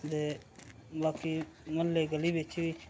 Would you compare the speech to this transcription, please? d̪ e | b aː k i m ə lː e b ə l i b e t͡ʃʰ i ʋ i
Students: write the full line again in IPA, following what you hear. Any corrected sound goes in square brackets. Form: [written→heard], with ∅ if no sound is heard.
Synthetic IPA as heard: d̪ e | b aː k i m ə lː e [b→ɡ] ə l i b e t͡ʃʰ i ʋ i

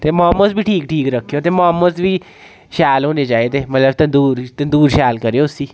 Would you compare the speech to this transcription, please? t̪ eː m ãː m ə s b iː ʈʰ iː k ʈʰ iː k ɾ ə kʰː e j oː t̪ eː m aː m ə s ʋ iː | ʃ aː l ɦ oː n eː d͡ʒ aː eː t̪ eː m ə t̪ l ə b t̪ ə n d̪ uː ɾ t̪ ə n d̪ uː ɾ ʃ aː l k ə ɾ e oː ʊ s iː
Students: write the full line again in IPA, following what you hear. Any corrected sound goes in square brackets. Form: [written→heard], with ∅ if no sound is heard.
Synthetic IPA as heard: t̪ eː m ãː m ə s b iː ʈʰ iː k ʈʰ iː k ɾ ə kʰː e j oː t̪ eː m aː m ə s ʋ iː | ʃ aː l ɦ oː n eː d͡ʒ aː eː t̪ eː m ə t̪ l ə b t̪ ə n d̪ uː ɾ t̪ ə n d̪ uː ɾ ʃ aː l k ə ɾ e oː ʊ s iː

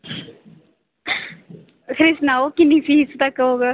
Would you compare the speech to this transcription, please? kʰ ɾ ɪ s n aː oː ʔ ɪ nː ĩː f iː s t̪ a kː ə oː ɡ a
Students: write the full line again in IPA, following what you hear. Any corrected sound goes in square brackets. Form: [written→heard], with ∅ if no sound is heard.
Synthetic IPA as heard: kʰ ɾ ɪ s n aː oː [ʔ→k] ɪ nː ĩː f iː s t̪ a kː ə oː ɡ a

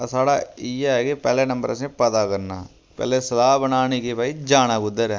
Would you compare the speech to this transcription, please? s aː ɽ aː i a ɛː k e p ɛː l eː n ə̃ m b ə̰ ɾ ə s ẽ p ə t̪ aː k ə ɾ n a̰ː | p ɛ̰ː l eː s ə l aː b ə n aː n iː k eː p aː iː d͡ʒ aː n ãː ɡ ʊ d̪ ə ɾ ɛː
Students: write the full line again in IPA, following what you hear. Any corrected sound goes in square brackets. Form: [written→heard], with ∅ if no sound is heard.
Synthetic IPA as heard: s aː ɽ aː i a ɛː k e p ɛː l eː n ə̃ m b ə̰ ɾ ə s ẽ p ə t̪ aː k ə ɾ n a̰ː | p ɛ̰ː l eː s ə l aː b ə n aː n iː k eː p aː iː d͡ʒ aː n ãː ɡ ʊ d̪ ə ɾ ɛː

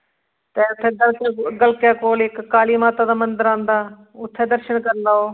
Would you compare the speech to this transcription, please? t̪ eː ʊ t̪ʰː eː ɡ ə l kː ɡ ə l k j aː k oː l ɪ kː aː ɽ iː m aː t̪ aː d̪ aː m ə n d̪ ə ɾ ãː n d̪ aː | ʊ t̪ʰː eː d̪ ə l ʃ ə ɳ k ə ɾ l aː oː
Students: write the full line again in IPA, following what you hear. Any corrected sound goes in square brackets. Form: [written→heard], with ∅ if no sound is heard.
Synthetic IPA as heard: t̪ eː ʊ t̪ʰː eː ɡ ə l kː ɡ ə l k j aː k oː l ɪ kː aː [ɽ→l] iː m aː t̪ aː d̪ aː m ə n d̪ ə ɾ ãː n d̪ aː | ʊ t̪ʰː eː d̪ ə [l→ɾ] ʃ ə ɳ k ə ɾ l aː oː

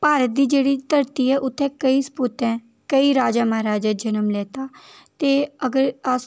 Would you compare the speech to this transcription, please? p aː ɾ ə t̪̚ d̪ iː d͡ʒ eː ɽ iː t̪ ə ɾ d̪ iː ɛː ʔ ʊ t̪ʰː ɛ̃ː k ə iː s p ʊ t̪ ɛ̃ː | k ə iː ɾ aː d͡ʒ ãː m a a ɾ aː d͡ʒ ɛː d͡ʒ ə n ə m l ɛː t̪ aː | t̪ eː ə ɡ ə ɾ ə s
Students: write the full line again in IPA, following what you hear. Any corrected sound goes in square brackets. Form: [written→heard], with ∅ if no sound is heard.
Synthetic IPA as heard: p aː ɾ ə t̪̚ d̪ iː d͡ʒ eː ɽ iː t̪ ə ɾ [d̪→t̪] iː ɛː ʔ ʊ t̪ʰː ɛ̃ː k ə iː s p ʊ t̪ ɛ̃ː | k ə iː ɾ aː d͡ʒ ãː m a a ɾ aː d͡ʒ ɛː d͡ʒ ə n ə m l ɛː t̪ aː | t̪ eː ə ɡ ə ɾ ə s

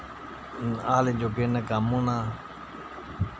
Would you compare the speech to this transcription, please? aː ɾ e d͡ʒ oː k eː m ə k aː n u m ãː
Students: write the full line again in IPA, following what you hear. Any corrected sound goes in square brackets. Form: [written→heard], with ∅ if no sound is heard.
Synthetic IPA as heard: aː [ɾ→l] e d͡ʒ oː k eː [m→n] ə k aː [n→m] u [m→n] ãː

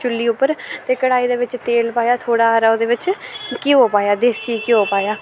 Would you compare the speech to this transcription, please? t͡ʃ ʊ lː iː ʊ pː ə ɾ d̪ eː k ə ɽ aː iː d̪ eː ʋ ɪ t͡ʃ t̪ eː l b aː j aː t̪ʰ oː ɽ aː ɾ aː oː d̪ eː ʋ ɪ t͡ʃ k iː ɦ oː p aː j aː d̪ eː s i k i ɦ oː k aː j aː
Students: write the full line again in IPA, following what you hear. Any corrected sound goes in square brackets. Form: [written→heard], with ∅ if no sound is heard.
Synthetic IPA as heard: t͡ʃ ʊ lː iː ʊ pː ə ɾ [d̪→t̪] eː k ə ɽ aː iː d̪ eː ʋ ɪ t͡ʃ t̪ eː l [b→p] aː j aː t̪ʰ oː ɽ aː ɾ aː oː d̪ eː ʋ ɪ t͡ʃ k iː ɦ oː p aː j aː d̪ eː s i k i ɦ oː [k→p] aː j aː

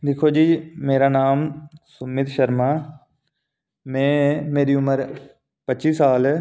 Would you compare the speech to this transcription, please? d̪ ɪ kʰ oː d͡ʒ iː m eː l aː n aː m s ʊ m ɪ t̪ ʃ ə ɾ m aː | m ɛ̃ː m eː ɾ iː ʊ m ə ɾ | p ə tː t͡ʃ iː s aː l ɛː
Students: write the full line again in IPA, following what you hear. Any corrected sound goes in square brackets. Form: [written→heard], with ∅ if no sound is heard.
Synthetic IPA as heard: d̪ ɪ kʰ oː d͡ʒ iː m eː [l→ɾ] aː n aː m s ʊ m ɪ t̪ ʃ ə ɾ m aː | m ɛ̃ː m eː ɾ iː ʊ m ə ɾ | p ə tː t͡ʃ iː s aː l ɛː

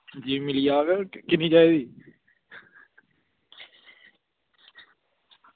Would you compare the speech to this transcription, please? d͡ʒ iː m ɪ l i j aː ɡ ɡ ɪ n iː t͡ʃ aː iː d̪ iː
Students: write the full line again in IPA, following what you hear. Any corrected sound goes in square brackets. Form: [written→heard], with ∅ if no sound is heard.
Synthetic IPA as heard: d͡ʒ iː m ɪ l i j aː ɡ [ɡ→k] ɪ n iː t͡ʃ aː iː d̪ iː

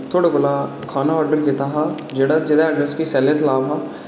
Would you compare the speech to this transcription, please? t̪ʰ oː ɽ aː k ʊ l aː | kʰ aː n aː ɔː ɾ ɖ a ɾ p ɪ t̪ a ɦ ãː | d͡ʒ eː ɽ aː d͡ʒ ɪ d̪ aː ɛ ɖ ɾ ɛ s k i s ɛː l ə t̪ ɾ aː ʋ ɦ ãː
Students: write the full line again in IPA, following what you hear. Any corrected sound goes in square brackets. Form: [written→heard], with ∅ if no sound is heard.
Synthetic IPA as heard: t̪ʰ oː ɽ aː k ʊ l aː | kʰ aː n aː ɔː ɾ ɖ [a→ə] ɾ [p→k] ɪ t̪ a ɦ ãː | d͡ʒ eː ɽ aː d͡ʒ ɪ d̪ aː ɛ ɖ ɾ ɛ s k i s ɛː l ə t̪ [ɾ→l] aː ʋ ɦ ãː

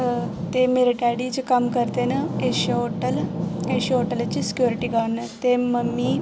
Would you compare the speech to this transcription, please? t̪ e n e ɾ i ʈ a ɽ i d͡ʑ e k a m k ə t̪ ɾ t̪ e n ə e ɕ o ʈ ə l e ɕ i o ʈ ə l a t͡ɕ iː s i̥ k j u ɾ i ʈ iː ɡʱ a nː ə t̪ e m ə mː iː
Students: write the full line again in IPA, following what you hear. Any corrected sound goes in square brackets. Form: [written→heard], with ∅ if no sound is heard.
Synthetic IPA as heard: t̪ e [n→m] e ɾ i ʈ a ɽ i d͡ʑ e k a m k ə [t̪→∅] ɾ t̪ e n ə e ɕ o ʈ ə l e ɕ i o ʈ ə l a t͡ɕ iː s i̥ k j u ɾ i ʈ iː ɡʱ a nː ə t̪ e m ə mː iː

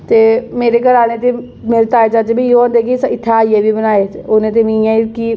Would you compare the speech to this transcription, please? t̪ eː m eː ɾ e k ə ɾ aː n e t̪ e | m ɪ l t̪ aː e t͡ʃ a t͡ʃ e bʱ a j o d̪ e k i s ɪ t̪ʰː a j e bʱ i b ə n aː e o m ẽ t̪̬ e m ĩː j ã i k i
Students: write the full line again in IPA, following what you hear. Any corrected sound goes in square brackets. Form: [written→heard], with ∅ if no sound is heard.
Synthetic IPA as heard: t̪ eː m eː ɾ e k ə ɾ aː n e t̪ e | m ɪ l t̪ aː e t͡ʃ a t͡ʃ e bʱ [a→i] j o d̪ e k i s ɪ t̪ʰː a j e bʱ i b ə n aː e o [m→n] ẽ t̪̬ e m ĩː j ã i k i

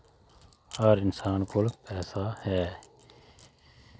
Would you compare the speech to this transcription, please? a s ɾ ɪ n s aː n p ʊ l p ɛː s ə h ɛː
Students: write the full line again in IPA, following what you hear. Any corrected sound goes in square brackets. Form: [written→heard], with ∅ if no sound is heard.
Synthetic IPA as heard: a [s→∅] ɾ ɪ n s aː n [p→k] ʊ l p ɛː s [ə→a] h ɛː

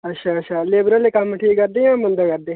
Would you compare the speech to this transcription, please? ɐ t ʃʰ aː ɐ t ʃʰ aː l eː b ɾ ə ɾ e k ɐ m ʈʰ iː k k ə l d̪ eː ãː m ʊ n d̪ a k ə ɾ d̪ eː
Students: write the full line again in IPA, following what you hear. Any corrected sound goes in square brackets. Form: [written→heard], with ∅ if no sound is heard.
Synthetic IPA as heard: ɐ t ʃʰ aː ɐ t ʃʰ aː l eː b ɾ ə [ɾ→l] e k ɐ m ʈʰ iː k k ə [l→ɾ] d̪ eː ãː m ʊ n d̪ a k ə ɾ d̪ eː

